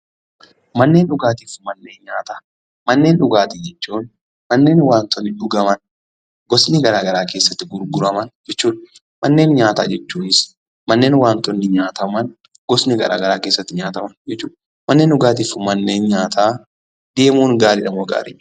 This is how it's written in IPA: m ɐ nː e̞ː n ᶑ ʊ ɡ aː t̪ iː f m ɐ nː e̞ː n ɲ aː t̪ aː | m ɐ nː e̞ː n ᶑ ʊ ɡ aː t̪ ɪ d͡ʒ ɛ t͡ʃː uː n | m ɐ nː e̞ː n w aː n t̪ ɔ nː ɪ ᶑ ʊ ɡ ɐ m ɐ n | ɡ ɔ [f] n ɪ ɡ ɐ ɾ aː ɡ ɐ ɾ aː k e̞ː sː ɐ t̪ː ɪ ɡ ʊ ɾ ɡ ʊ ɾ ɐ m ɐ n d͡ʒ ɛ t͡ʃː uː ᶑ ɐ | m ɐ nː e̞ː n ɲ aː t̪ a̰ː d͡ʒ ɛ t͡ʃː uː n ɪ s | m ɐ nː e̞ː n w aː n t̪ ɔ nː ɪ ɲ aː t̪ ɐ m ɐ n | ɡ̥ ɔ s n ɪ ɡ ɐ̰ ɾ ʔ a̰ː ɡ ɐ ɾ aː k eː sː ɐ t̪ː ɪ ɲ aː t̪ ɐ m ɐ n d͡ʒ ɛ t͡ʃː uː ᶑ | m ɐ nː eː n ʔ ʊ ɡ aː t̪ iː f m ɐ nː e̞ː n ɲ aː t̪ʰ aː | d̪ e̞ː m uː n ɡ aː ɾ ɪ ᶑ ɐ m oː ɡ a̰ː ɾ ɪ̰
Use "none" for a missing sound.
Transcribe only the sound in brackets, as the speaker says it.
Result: s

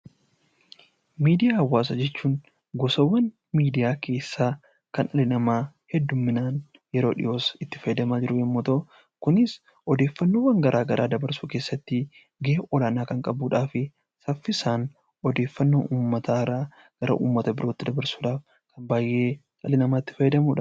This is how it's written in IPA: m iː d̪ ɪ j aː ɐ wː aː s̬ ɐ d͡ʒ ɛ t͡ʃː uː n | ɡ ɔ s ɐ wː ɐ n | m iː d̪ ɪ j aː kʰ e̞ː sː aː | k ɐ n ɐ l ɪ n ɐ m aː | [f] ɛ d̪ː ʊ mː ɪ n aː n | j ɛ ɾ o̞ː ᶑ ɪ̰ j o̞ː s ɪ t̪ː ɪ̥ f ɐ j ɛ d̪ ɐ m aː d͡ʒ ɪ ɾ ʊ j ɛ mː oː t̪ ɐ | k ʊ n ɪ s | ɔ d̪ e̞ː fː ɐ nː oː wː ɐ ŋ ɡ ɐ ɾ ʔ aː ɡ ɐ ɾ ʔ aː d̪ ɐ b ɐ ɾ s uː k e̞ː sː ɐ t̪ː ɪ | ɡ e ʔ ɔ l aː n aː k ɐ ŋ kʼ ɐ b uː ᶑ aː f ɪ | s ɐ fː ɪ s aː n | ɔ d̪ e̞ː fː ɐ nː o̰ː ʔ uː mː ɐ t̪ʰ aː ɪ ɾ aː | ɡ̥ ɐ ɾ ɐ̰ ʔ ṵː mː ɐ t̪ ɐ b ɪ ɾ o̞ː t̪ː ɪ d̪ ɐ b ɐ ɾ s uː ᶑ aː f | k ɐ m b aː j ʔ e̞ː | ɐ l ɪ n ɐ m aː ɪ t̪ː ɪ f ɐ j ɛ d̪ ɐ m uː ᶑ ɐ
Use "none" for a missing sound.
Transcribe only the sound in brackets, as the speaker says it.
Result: h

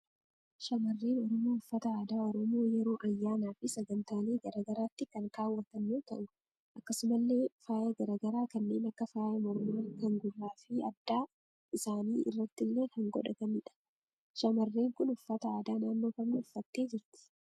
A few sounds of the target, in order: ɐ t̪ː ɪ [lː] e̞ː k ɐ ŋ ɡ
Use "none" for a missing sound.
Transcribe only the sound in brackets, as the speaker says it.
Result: lː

